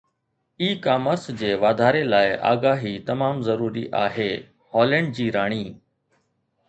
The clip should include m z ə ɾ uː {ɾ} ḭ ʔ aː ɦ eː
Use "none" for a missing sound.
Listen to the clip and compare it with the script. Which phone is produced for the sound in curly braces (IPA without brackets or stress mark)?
ɾ